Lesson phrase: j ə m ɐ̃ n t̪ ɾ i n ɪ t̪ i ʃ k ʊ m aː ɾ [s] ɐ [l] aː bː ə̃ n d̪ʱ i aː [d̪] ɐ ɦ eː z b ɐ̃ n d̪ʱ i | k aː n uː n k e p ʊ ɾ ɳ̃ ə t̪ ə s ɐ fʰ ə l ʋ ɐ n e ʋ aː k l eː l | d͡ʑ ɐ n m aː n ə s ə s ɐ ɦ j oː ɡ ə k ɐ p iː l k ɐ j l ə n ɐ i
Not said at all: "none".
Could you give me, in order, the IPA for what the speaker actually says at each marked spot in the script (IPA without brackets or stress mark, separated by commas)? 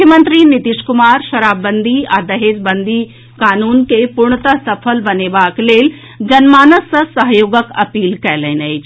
ʃ, ɾ, d̪